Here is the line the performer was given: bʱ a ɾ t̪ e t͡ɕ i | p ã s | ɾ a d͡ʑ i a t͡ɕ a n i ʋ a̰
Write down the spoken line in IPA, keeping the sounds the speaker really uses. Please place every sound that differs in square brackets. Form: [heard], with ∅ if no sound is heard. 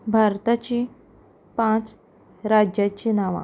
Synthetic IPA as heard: bʱ a ɾ t̪ [a] t͡ɕ i | p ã [t͡s] | ɾ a d͡ʑ [j] a t͡ɕ [i] n [a] ʋ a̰